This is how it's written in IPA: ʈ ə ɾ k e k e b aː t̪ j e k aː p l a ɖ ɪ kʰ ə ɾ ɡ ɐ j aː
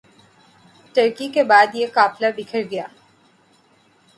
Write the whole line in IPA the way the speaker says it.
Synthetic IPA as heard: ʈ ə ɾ k i k e b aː d̪ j e k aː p l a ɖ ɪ kʰ ə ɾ ɡ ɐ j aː

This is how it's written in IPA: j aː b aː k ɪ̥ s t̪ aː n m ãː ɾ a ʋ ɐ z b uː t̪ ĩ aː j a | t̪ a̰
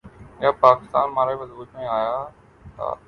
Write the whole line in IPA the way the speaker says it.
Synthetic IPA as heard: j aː p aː k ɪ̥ s t̪ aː n m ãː ɾ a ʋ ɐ z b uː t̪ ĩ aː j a | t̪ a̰

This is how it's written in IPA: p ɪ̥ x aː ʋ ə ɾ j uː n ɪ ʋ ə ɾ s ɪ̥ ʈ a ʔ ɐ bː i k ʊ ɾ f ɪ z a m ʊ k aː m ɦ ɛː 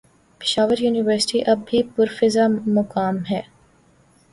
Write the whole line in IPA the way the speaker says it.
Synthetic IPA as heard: p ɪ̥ ʃ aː ʋ ə ɾ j uː n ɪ ʋ ə ɾ s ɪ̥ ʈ i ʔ ɐ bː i p ʊ ɾ f ɪ z a m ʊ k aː m ɦ ɛː

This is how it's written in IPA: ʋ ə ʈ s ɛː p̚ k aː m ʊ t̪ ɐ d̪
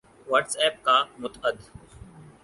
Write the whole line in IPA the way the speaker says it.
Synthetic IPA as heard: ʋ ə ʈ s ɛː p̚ k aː m ʊ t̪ ə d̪

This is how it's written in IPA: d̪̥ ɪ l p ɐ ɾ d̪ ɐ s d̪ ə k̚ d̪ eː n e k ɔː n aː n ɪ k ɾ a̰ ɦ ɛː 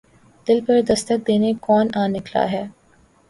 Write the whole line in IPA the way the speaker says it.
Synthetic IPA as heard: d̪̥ ɪ l p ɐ ɾ d̪ ɐ s t̪ ə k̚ d̪ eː n e k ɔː n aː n ɪ k l a̰ ɦ ɛː

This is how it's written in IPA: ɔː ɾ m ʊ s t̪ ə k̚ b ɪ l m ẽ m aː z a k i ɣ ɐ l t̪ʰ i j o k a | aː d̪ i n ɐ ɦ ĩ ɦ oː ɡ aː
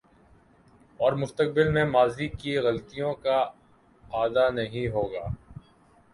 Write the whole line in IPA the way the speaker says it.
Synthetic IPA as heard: ɔː ɾ m ʊ s t̪ ə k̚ b ɪ l m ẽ m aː z i k i ɣ ɐ l t̪ i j õ k a | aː d̪ a n ɐ ɦ ĩ ɦ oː ɡ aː

